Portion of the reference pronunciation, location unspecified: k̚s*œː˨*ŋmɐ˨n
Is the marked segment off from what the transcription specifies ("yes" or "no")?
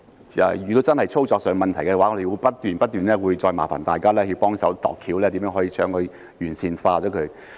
no